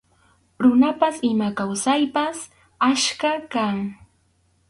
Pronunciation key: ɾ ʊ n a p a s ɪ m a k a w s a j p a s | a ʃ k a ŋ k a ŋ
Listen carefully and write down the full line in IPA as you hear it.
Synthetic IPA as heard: ɾ ʊ n a p a s ɪ m a k a w s a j p a s | a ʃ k a k a ŋ